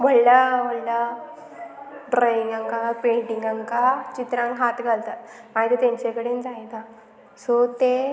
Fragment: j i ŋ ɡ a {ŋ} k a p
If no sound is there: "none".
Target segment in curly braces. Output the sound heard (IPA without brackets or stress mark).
ŋ